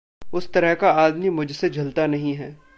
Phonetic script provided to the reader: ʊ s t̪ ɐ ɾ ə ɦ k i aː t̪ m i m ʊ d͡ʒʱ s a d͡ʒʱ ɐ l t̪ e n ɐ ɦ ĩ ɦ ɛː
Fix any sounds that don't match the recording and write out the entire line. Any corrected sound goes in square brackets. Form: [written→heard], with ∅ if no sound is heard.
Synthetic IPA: ʊ s t̪ ɐ ɾ ə ɦ k [i→a] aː [t̪→d̪] m i m ʊ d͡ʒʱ s [a→e] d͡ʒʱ ɐ l t̪ [e→a] n ɐ ɦ ĩ ɦ ɛː